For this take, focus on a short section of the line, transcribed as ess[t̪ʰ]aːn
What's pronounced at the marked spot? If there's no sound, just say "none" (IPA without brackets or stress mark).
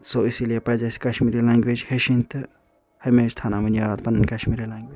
t̪ʰ